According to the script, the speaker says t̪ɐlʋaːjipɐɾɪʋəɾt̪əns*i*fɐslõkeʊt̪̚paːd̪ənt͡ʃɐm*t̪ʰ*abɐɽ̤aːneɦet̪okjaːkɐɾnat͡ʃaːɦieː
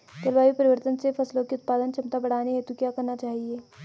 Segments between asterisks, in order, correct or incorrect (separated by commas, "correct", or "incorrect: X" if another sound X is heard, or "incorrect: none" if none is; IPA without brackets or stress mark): incorrect: e, incorrect: t̪